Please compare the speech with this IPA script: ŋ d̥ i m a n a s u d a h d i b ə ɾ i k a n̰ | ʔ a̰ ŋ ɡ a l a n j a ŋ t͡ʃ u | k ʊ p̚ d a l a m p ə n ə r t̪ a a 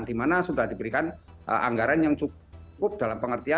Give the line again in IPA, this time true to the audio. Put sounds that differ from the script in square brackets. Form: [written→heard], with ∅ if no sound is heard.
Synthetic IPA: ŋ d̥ i m a n a s u d a h d i b ə ɾ i k a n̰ | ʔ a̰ ŋ ɡ a [l→ɾ] a n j a ŋ t͡ʃ u | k ʊ p̚ d a l a m p ə [n→ŋ] ə r t̪ [a→i] a